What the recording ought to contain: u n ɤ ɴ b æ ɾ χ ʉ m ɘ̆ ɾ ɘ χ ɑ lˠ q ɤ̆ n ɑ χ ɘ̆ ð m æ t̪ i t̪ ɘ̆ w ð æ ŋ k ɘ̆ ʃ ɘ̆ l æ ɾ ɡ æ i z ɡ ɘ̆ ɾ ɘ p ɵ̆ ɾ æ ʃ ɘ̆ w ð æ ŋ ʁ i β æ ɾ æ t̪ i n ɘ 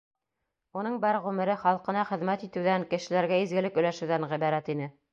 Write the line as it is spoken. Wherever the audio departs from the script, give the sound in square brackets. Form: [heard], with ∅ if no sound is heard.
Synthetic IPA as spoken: u n ɤ ɴ b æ ɾ [ʁ] ʉ m ɘ̆ ɾ ɘ χ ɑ lˠ q ɤ̆ n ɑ χ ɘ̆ ð m æ t̪ i t̪ ɘ̆ w ð æ ŋ k ɘ̆ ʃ ɘ̆ l æ ɾ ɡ æ i z ɡ ɘ̆ [l] ɘ [k] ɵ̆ [l] æ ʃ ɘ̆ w ð æ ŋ ʁ i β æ ɾ æ t̪ i n ɘ